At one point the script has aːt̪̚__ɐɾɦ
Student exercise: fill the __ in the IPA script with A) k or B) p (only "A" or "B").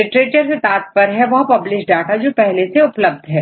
B